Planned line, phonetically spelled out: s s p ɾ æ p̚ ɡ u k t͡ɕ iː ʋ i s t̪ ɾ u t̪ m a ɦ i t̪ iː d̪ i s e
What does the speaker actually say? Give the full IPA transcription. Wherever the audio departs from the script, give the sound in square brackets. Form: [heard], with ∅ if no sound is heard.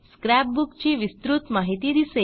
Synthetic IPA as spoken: s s [k] ɾ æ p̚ [b] u k t͡ɕ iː ʋ i s t̪ ɾ u t̪ m a ɦ i t̪ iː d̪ i s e